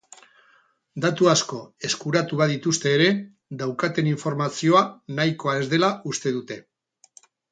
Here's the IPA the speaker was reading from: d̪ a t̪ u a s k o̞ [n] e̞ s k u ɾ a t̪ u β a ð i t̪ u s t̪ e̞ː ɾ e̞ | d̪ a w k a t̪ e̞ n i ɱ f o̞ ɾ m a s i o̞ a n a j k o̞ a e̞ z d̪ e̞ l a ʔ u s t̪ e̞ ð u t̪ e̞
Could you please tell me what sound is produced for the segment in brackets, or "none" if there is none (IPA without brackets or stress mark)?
none